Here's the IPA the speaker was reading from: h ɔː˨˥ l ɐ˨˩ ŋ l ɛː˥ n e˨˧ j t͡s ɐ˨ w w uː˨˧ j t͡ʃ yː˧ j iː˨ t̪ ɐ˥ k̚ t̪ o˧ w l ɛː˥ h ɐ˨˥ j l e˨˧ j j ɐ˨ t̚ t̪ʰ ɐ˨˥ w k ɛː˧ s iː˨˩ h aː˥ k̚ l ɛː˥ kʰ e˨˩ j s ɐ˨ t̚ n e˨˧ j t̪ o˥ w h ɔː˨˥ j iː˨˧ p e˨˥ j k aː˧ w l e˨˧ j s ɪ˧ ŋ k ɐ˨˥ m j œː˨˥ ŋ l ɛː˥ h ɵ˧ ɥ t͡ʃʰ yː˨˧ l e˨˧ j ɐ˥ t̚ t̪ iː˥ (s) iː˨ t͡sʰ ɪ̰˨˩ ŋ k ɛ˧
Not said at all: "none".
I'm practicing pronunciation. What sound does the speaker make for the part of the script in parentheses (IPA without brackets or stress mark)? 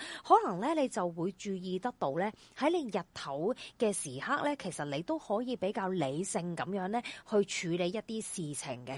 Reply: s